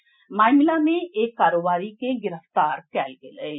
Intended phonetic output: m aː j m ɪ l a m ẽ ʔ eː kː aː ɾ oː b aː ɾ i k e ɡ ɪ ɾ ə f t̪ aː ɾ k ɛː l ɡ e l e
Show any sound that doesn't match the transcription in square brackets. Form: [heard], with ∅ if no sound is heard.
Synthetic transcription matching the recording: m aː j m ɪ l a m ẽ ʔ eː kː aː ɾ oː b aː ɾ i k e ɡ ɪ ɾ ə f t̪ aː ɾ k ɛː l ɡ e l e